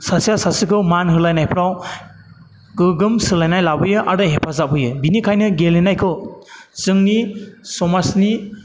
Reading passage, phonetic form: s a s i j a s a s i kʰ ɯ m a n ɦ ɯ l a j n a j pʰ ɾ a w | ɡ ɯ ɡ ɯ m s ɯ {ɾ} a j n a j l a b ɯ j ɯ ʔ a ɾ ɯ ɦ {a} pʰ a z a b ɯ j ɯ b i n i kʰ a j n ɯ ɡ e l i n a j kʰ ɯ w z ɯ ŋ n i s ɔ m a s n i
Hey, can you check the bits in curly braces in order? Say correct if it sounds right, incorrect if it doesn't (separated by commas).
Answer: incorrect, incorrect